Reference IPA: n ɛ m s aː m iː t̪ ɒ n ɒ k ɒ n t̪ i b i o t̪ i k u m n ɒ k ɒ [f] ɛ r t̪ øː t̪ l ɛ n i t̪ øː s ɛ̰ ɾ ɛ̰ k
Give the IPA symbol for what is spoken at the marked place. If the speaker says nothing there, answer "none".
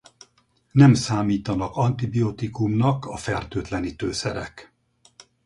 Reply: f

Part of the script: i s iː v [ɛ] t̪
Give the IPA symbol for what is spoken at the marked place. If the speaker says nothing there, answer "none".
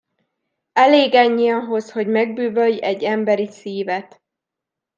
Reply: ɛ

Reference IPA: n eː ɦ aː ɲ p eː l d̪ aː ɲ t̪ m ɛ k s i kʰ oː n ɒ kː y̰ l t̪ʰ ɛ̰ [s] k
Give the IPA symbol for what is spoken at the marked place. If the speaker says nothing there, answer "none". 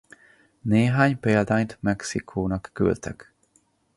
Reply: none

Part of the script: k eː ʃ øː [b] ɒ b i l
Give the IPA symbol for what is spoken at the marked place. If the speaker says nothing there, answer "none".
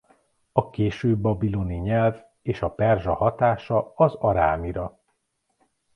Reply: bː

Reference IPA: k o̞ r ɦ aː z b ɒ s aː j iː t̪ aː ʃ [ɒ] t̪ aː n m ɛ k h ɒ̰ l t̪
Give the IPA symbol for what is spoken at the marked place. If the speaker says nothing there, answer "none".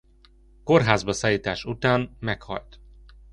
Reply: u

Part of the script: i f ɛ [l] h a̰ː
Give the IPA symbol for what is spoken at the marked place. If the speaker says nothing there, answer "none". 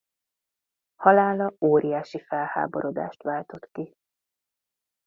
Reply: l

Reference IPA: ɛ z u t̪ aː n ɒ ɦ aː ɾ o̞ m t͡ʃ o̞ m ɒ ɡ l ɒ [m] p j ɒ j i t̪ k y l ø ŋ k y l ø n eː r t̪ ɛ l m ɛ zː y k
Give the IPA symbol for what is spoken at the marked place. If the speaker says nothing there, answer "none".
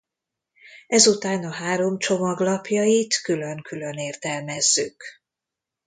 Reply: none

